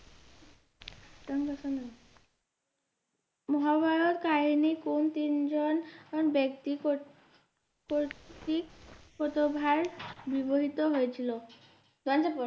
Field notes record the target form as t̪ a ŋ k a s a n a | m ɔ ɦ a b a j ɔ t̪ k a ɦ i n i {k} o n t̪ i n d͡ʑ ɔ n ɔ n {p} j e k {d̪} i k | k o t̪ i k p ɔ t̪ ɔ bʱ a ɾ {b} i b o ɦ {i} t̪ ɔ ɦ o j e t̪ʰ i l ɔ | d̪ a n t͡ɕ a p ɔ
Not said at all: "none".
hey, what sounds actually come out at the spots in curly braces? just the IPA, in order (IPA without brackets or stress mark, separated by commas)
k, b, t̪, b, i